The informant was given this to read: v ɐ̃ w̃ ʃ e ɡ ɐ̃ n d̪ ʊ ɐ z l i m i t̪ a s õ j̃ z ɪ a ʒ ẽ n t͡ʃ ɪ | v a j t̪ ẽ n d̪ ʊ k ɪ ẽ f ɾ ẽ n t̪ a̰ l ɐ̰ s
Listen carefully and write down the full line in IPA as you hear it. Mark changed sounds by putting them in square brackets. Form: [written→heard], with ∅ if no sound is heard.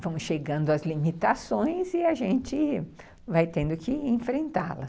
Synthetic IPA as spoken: v ɐ̃ w̃ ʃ e ɡ ɐ̃ n d̪ ʊ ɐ z l i m i t̪ a s õ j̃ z ɪ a ʒ ẽ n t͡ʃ ɪ | v a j t̪ ẽ n d̪ ʊ k ɪ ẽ f ɾ ẽ n t̪ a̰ l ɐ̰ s